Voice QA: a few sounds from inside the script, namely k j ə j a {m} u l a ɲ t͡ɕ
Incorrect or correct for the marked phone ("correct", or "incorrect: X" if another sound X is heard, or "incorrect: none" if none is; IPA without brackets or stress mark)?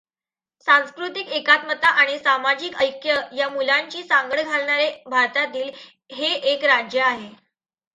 correct